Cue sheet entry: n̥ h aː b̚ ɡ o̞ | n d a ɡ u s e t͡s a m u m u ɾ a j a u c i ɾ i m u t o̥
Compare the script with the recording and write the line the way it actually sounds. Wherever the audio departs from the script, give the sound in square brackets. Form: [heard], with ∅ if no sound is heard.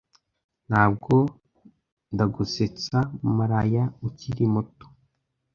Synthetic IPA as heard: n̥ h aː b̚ ɡ o̞ | n d a ɡ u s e t͡s a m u m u ɾ a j a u c i ɾ i m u t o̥